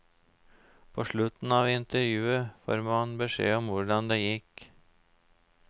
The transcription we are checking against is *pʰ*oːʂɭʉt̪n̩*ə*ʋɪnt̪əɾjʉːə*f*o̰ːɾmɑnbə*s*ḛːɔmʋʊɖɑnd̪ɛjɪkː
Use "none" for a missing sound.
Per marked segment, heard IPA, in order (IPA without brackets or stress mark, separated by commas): pʰ, ɑ, f, ʂ